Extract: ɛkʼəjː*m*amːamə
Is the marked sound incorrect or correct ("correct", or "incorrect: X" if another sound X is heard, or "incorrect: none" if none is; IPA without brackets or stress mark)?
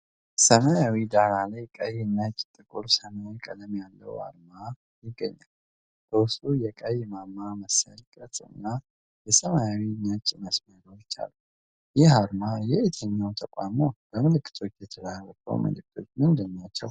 correct